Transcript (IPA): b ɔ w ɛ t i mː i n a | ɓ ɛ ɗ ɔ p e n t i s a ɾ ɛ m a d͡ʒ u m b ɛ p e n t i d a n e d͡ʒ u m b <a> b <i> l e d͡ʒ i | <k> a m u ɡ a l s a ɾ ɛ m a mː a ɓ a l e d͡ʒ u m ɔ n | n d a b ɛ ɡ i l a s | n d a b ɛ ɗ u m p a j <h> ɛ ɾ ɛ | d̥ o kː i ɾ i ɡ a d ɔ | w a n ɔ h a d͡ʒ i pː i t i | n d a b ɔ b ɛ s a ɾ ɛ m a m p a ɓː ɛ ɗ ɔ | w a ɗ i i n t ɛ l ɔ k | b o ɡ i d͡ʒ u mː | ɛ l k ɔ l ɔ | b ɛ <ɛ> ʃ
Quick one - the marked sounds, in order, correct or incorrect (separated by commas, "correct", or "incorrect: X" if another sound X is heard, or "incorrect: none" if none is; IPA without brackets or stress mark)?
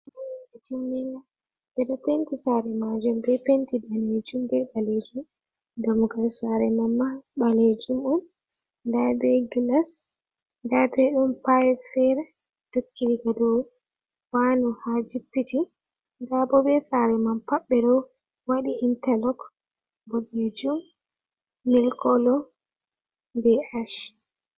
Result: incorrect: ɛ, incorrect: a, incorrect: ɡ, incorrect: f, incorrect: a